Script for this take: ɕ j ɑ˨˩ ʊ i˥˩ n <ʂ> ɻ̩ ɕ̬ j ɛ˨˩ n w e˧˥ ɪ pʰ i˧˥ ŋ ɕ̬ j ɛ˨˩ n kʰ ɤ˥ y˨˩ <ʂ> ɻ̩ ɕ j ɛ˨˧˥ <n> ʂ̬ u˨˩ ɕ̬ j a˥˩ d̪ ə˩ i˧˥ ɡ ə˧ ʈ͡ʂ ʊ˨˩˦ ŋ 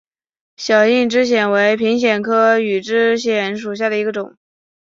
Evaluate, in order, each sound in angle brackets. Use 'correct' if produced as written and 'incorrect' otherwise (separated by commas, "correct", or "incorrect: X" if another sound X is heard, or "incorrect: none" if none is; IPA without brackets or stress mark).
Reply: incorrect: ʈ͡ʂ, incorrect: ʈ͡ʂ, correct